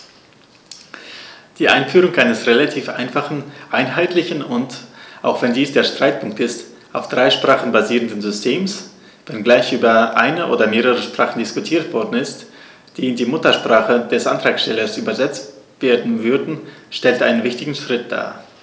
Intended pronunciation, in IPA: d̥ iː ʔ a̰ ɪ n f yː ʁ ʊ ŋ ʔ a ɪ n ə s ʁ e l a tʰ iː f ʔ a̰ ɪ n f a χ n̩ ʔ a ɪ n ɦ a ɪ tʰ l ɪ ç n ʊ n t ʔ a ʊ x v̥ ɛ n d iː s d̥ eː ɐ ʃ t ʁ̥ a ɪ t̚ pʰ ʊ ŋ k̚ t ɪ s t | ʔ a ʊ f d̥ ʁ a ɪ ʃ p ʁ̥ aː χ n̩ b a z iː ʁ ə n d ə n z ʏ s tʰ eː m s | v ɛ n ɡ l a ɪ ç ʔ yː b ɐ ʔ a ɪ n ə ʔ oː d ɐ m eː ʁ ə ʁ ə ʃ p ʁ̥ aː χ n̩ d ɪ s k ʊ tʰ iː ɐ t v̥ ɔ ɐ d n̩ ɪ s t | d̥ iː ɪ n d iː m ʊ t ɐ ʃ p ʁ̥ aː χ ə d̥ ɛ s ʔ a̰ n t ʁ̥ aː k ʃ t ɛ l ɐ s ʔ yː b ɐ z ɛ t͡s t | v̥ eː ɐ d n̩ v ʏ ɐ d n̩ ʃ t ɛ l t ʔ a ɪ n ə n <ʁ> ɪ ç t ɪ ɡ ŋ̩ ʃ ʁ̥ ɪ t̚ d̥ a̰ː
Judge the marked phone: incorrect: v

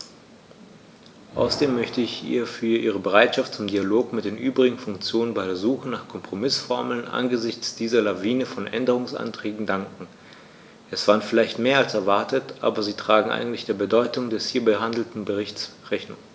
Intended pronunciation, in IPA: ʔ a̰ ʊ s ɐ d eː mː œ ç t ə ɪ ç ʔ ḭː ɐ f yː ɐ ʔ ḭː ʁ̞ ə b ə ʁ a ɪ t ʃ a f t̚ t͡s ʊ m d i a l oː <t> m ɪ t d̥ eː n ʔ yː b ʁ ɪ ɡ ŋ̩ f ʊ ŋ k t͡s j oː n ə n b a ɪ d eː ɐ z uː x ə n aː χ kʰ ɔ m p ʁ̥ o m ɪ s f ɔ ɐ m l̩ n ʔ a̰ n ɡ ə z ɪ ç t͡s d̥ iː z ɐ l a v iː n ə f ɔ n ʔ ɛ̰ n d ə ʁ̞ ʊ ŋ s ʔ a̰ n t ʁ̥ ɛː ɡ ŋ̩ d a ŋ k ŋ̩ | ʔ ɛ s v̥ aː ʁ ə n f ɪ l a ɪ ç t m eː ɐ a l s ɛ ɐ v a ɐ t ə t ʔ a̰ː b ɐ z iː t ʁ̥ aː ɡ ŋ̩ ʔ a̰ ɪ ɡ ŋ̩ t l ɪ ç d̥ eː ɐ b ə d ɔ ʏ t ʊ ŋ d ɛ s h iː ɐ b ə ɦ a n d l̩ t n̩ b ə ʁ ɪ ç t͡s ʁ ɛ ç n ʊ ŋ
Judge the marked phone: incorrect: k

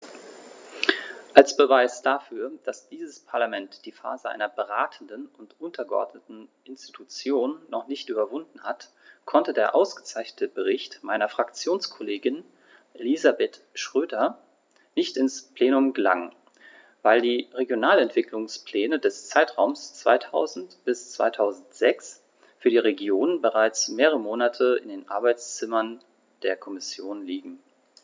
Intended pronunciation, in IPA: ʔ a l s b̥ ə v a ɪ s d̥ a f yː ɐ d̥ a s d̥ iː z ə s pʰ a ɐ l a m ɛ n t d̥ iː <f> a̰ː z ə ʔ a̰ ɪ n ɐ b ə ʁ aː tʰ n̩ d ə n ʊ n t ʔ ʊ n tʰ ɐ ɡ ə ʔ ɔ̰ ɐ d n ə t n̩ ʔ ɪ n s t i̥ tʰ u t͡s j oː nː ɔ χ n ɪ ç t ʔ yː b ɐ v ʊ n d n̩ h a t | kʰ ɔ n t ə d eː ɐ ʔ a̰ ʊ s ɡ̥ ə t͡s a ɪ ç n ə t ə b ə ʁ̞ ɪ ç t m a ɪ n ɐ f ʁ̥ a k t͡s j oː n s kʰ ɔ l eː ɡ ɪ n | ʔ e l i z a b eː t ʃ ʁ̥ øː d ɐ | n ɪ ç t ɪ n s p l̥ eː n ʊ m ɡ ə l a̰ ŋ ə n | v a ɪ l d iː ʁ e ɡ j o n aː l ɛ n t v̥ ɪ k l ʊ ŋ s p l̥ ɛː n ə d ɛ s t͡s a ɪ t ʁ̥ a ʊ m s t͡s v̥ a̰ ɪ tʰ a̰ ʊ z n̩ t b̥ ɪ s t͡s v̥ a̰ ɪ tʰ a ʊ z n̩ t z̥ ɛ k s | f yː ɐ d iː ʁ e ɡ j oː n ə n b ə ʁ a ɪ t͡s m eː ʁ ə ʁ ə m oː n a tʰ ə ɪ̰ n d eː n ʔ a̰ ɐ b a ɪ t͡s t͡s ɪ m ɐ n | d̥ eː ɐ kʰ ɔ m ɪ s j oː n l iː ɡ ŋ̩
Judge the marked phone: correct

